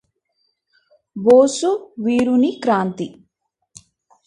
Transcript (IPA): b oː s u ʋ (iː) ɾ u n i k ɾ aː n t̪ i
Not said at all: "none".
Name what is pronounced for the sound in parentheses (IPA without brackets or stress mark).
iː